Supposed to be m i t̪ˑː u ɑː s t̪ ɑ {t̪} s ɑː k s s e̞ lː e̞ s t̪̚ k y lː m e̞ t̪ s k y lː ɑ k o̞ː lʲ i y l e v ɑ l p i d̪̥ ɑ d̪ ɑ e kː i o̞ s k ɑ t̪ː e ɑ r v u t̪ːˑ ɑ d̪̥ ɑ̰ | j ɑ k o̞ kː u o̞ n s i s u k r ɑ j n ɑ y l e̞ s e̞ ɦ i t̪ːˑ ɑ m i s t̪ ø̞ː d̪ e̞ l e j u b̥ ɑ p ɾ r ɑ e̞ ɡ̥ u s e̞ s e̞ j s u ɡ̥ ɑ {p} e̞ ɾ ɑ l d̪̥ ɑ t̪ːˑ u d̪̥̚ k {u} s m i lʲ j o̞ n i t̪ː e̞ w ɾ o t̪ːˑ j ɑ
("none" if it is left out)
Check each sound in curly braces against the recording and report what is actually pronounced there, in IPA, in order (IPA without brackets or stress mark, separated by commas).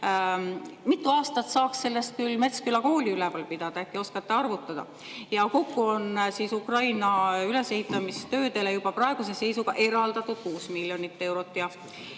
t̪, ʔ, uː